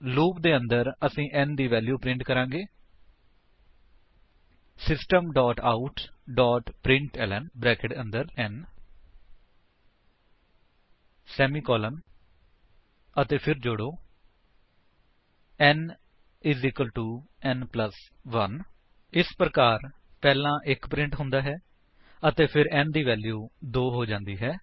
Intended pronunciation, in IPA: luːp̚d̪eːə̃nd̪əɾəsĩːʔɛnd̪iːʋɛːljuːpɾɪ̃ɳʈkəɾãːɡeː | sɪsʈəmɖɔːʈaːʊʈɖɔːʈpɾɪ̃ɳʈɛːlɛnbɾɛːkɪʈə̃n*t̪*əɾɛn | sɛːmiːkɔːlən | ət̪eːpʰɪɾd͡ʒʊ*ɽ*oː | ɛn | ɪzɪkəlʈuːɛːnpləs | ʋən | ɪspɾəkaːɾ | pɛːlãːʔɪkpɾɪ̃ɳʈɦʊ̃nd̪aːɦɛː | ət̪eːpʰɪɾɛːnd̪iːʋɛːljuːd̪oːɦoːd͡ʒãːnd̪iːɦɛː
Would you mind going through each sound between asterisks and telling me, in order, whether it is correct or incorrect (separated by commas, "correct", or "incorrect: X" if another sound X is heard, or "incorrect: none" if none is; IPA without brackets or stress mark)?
incorrect: d̪, correct